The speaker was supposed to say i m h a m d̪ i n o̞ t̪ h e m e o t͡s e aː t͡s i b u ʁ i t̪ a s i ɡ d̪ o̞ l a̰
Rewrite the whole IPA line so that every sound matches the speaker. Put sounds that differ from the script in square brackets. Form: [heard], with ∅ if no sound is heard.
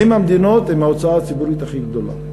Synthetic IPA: i m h a m d̪ i n o̞ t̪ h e m [a] o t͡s [a] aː t͡s i b u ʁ i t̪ a [χ] i ɡ d̪ o̞ l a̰